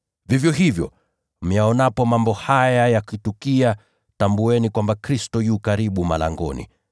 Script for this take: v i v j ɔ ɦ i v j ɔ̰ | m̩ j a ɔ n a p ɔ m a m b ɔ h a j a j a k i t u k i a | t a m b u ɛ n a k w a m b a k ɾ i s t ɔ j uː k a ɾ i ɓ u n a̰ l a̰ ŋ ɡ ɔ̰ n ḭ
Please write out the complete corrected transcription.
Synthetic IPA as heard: v i v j ɔ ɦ i v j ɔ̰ | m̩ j a ɔ n a p ɔ m a m b ɔ h a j a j a k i t u k i a | t a m b u ɛ n i k w a m b a k ɾ i s t ɔ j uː k a ɾ i ɓ u m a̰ l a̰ ŋ ɡ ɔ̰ n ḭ